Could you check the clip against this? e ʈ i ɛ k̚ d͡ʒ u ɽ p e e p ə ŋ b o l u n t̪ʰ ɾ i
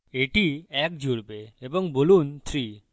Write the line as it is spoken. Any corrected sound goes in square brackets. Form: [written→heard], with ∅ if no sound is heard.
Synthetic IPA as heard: e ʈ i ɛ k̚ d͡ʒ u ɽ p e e [p→b] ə ŋ b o l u n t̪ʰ ɾ i